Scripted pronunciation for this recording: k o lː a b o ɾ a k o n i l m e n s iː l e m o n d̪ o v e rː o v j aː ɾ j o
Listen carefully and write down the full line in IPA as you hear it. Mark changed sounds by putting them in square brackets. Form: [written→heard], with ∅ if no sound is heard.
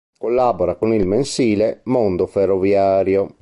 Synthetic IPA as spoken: k o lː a b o ɾ a k o n i l m e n s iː l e m o n d̪ o [v→f] e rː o v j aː ɾ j o